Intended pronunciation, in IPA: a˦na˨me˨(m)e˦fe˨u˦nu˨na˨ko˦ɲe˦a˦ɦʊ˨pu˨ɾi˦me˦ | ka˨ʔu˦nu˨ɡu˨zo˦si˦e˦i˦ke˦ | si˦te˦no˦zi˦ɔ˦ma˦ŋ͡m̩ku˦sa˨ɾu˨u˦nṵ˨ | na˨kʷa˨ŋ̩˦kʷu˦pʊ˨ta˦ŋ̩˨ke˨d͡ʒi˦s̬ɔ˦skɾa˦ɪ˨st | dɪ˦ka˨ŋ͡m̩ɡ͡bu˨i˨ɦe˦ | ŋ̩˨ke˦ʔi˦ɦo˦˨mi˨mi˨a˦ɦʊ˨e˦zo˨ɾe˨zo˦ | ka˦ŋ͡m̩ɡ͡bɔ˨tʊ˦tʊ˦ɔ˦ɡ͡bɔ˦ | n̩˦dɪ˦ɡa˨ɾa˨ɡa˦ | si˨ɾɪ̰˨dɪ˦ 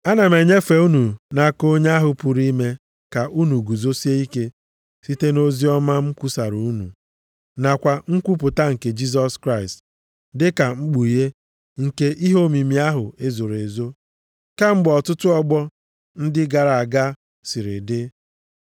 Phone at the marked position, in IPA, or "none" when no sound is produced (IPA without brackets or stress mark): ɲ